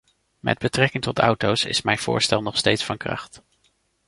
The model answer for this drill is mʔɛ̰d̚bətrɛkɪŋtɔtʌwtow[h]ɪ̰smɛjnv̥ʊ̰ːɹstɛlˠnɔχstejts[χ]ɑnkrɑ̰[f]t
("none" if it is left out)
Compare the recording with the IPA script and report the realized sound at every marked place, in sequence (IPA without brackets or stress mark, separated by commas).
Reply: s, f, χ